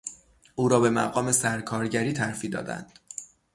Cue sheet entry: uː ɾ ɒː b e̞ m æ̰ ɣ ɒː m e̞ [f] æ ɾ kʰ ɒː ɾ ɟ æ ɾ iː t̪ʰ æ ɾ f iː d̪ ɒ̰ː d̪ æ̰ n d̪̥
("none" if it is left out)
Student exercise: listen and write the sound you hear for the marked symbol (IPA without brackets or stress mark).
s